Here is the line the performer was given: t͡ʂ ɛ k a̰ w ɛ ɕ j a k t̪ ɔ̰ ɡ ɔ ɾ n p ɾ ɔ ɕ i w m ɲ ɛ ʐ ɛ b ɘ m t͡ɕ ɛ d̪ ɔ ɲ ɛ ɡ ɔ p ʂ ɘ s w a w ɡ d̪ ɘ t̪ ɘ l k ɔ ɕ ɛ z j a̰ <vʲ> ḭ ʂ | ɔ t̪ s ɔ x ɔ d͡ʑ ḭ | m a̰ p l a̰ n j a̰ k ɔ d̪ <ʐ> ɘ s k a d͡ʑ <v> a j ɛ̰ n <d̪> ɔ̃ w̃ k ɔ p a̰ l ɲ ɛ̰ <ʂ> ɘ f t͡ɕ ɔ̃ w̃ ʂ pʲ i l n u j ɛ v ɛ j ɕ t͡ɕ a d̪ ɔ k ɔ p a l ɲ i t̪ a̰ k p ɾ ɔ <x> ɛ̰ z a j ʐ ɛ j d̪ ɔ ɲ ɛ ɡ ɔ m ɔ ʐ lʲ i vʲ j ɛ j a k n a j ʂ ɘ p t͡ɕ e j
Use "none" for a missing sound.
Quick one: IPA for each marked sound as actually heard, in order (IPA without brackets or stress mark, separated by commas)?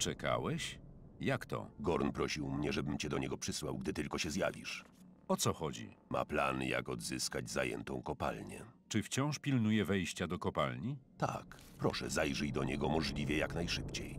vʲ, z, z, t̪, t͡ʂ, ʂ